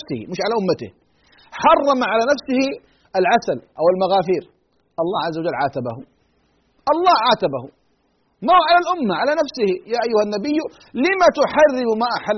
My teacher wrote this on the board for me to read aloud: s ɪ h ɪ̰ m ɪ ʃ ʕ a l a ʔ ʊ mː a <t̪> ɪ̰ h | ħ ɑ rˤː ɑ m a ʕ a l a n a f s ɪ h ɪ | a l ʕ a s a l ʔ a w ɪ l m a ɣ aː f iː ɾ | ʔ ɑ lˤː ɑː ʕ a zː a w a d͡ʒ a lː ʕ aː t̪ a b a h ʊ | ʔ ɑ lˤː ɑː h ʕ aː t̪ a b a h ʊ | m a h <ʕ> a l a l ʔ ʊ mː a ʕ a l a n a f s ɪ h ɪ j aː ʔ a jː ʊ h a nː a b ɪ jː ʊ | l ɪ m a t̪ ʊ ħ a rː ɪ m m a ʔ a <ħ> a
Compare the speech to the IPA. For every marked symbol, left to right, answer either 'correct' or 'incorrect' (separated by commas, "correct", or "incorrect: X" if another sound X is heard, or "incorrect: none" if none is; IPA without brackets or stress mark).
correct, correct, correct